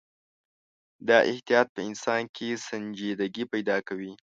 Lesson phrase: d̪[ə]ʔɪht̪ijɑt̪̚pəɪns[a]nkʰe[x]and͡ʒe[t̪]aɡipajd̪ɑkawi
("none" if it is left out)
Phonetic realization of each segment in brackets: ɑ, ɑ, s, d̪

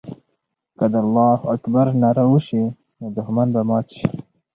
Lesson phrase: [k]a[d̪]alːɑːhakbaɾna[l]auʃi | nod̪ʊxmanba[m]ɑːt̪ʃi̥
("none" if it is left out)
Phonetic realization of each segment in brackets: k, d̪, ɾ, m

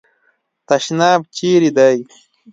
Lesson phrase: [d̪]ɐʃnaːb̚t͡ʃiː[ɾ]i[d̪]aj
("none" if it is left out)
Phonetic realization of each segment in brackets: t̪, ɾ, d̪

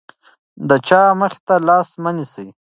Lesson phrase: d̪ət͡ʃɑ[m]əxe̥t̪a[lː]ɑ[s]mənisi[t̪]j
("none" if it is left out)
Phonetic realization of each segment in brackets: m, l, s, none

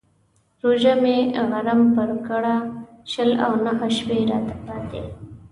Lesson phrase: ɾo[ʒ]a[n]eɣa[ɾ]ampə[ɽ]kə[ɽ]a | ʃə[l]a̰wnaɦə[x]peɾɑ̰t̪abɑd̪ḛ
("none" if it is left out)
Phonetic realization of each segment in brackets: ʒ, m, ɾ, ɾ, ɽ, l, ʃ

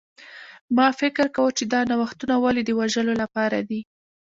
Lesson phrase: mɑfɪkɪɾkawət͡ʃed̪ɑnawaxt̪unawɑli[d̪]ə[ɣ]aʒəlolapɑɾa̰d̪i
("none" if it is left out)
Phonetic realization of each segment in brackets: d̪, w

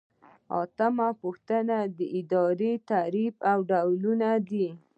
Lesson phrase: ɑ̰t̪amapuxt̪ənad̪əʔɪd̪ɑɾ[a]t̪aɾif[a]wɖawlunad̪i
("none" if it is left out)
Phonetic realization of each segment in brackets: e, a

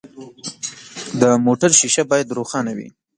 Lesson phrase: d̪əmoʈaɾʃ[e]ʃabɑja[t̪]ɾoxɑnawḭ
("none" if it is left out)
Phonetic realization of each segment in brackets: i, d̪

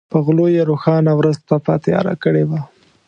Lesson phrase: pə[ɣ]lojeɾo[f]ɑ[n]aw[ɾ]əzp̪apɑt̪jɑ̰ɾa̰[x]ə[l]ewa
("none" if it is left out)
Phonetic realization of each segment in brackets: ɣ, x, n, ɾ, k, ɽ

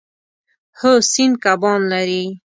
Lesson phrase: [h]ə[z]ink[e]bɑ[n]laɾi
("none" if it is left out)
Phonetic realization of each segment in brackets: h, s, a, n

